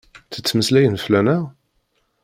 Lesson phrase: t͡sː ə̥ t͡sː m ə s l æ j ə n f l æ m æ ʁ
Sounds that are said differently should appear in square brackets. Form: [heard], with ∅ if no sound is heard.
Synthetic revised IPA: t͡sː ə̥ t͡sː m ə s l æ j ə n f l æ [n] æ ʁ